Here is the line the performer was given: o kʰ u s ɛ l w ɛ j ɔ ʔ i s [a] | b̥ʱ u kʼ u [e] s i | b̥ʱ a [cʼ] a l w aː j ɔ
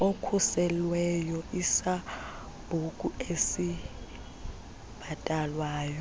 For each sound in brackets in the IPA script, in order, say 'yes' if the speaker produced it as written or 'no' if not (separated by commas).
yes, yes, no